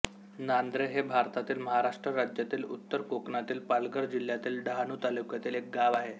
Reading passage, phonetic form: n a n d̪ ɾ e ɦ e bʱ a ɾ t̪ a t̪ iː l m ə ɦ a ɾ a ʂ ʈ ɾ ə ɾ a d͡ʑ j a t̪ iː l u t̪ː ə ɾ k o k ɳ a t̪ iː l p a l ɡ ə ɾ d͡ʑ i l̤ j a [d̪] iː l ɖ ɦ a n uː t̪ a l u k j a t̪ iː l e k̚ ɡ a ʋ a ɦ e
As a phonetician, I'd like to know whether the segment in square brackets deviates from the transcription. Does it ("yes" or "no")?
yes